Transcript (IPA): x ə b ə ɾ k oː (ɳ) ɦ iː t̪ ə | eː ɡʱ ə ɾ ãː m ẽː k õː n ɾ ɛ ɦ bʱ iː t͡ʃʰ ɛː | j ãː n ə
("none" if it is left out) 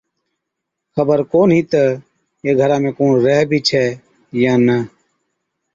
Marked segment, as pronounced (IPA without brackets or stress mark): n